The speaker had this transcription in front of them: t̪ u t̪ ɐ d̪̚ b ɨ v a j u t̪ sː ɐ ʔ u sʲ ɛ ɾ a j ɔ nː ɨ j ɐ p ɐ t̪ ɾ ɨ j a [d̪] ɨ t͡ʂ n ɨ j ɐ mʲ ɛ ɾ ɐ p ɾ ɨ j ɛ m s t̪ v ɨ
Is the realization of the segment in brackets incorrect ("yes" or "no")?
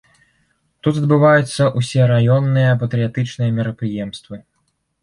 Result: yes